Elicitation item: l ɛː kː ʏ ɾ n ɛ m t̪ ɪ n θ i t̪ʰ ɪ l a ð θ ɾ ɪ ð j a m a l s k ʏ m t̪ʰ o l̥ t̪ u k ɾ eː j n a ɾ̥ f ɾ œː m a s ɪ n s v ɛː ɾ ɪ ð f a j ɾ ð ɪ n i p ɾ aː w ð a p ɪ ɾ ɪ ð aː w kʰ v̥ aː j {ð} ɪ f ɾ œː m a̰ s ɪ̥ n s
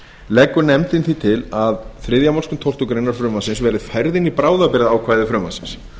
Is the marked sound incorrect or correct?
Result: correct